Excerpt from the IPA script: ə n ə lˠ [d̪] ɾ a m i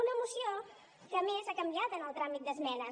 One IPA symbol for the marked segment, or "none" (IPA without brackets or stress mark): t̪